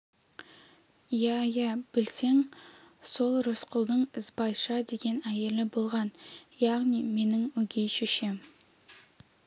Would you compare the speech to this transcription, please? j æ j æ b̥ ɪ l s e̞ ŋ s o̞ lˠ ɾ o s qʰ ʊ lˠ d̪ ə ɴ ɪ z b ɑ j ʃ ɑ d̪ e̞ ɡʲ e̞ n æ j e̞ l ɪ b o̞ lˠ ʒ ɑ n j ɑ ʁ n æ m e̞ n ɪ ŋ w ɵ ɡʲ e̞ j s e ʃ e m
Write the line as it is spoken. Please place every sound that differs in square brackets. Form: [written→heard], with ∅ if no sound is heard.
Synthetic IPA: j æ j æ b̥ ɪ l s e̞ ŋ s o̞ lˠ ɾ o s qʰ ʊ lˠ d̪ ə ɴ ɪ z b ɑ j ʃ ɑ d̪ e̞ ɡʲ e̞ n æ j e̞ l ɪ b o̞ lˠ [ʒ→ʁ] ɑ n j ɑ ʁ n [æ→i] m e̞ n ɪ ŋ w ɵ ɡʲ e̞ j [s→ʃ] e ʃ e m